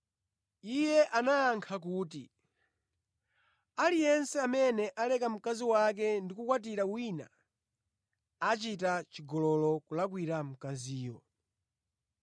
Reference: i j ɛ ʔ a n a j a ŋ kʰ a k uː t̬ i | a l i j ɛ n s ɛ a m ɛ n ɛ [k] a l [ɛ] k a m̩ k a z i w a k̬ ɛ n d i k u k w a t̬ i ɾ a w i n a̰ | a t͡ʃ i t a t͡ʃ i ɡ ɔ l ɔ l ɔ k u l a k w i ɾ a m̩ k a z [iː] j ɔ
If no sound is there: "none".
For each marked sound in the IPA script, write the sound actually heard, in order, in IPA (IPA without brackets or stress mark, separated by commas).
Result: ʔ, ɛ, iː